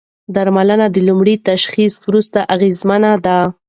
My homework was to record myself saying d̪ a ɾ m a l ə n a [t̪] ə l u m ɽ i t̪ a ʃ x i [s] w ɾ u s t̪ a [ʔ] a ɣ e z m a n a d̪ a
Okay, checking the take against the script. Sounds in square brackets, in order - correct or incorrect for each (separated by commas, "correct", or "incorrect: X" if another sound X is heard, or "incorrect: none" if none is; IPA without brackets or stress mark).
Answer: incorrect: d̪, correct, correct